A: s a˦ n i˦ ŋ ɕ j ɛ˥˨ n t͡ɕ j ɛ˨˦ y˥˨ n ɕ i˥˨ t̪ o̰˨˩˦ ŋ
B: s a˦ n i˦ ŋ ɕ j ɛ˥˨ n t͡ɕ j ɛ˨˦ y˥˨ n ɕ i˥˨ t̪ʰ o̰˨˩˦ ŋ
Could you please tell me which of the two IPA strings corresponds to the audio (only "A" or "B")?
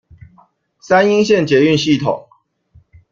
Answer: B